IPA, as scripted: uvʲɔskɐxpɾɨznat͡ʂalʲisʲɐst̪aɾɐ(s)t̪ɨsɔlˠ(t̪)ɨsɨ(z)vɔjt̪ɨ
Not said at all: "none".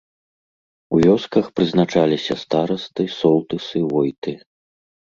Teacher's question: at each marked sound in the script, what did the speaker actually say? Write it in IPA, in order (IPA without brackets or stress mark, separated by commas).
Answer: s, t̪, none